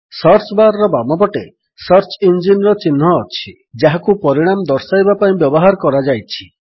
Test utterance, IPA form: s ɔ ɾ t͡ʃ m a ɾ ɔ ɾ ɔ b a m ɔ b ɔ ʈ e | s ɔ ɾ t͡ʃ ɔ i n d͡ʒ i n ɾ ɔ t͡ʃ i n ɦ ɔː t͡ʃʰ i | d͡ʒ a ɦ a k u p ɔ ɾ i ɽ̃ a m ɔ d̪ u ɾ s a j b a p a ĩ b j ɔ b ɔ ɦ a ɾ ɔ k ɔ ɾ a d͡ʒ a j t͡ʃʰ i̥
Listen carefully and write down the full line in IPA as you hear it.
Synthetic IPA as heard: s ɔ ɾ t͡ʃ b a ɾ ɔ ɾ ɔ b a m ɔ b ɔ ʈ e | s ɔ ɾ t͡ʃ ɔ i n d͡ʒ i n ɾ ɔ t͡ʃ i n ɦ ɔː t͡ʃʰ i | d͡ʒ a ɦ a k u p ɔ ɾ i ɽ̃ a m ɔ d̪ ɔ ɾ s a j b a p a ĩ b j ɔ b ɔ ɦ a ɾ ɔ k ɔ ɾ a d͡ʒ a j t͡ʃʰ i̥